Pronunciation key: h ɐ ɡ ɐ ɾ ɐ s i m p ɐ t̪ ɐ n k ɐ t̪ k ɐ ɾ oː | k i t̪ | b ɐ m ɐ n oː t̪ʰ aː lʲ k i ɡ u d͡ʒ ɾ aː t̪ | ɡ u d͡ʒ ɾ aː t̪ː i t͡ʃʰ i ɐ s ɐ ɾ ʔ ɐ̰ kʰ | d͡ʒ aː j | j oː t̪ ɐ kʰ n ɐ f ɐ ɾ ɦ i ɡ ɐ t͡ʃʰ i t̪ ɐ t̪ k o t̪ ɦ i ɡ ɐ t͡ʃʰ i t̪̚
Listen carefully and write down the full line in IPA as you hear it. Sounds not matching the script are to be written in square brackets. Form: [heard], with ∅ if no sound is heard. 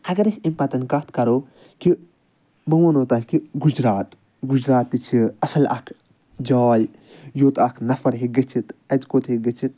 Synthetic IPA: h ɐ ɡ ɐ ɾ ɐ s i m p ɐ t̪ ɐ n k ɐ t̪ k ɐ ɾ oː | k i [∅] | b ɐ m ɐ n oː [t̪] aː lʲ k i ɡ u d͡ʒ ɾ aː t̪ | ɡ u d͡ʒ ɾ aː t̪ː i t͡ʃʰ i ɐ s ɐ [l] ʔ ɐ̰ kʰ | d͡ʒ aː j | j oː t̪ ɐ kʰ n ɐ f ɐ ɾ ɦ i ɡ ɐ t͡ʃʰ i t̪ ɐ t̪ k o t̪ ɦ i ɡ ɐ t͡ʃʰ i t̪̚